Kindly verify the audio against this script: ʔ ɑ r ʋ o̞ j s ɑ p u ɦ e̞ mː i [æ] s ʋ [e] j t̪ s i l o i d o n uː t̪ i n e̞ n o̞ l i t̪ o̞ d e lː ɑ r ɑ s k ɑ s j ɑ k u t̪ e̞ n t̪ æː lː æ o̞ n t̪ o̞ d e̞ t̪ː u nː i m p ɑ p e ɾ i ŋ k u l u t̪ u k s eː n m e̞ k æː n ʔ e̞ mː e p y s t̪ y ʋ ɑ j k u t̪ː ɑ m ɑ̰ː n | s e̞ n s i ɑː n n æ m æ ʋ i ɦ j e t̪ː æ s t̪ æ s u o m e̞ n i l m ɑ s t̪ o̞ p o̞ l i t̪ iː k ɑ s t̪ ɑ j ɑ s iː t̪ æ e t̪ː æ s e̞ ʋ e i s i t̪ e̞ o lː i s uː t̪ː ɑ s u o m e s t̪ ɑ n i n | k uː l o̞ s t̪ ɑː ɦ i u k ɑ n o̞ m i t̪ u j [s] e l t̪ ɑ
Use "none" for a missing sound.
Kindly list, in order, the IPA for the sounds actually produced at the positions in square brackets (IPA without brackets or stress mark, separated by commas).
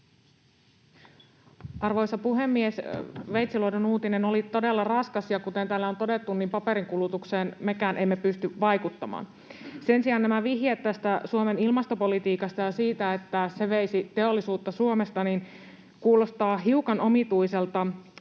e, e, s